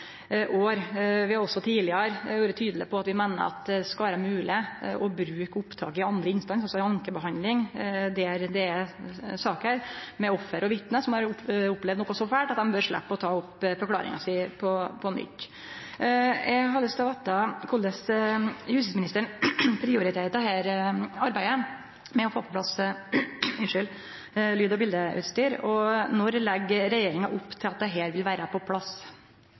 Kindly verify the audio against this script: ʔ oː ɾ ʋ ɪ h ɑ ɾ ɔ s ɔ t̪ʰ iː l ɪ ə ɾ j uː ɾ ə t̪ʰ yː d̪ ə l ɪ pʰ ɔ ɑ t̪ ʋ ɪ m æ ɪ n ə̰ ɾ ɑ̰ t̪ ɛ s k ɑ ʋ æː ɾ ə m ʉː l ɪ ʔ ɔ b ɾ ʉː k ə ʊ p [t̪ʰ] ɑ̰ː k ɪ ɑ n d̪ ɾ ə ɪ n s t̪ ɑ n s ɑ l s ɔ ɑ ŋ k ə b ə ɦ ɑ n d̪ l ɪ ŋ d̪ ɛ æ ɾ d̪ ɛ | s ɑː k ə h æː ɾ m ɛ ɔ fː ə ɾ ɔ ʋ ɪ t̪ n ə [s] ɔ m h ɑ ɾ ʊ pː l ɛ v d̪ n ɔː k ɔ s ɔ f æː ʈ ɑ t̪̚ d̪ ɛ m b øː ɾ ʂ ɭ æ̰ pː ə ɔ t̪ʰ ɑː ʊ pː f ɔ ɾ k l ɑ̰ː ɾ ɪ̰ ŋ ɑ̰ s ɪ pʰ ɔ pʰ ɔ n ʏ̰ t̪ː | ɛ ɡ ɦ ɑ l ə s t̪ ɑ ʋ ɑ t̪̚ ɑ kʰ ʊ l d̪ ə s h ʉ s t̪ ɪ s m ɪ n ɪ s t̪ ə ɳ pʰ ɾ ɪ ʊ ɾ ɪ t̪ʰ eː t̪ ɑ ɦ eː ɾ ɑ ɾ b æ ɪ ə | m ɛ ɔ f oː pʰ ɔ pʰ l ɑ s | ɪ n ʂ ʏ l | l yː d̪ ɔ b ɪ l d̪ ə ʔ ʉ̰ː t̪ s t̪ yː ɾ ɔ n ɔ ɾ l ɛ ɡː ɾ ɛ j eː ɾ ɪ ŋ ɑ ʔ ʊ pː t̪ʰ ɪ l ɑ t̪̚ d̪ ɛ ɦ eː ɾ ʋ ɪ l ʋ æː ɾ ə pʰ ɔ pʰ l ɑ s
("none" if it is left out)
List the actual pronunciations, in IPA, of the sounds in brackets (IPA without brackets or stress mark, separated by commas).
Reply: t̪ʰ, s